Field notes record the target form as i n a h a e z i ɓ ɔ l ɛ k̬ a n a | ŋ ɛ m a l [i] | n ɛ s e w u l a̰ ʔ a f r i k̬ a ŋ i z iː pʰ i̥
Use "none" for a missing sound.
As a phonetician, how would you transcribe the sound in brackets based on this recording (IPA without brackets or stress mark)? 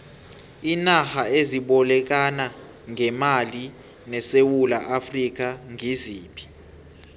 i